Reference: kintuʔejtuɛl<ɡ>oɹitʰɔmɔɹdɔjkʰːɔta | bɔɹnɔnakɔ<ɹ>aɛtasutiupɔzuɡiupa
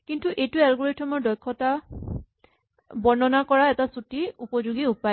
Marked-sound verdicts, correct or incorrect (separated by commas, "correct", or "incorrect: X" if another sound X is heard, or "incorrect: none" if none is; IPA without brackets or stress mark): correct, correct